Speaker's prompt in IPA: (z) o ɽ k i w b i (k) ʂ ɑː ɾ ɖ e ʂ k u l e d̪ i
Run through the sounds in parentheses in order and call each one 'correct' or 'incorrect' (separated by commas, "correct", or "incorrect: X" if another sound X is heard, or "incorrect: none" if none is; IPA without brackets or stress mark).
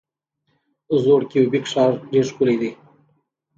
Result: correct, correct